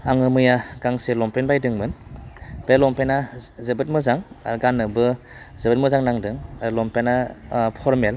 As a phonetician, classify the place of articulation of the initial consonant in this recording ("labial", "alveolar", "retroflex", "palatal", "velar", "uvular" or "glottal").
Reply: velar